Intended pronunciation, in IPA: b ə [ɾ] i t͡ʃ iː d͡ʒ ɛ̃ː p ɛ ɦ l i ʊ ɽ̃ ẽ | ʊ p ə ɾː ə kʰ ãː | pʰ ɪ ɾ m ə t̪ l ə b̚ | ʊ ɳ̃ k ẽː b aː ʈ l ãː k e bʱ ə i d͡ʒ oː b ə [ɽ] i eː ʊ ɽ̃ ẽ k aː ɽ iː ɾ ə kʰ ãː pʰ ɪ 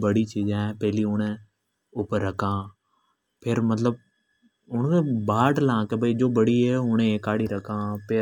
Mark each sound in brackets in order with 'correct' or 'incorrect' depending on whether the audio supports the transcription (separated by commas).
incorrect, correct